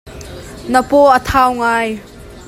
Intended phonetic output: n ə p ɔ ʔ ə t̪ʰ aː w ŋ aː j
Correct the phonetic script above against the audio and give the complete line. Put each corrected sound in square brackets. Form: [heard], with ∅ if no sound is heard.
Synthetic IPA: n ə p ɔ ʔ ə t̪ʰ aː w ŋ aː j